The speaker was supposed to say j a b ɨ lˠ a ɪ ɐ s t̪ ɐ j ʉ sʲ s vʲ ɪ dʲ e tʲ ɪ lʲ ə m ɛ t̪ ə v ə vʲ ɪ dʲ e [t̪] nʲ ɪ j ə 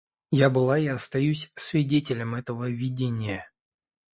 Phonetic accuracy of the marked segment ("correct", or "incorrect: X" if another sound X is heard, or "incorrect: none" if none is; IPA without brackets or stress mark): incorrect: none